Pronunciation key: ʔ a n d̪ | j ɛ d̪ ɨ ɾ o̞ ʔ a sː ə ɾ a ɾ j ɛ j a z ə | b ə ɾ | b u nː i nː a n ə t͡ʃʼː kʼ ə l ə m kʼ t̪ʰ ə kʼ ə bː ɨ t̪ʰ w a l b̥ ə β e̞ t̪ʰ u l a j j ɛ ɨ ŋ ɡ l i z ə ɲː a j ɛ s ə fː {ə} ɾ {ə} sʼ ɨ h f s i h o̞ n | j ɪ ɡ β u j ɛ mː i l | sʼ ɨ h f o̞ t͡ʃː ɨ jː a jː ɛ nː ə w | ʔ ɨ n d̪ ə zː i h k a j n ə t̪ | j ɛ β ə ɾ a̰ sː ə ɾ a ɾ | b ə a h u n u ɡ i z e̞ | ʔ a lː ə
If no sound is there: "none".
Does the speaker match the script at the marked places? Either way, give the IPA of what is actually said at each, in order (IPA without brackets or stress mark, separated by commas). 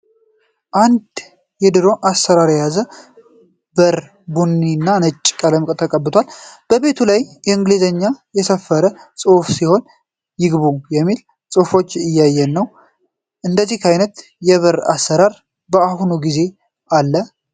ə, ə